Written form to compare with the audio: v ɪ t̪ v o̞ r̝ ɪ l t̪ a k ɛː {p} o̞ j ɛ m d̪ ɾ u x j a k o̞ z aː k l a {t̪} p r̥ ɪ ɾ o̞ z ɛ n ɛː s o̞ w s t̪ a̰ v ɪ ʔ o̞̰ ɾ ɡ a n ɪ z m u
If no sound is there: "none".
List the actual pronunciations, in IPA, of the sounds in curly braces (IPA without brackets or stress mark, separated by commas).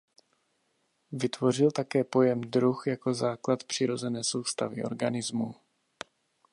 p, t̪